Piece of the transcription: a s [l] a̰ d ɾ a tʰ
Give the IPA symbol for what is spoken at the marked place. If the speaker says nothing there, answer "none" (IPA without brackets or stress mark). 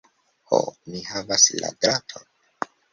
l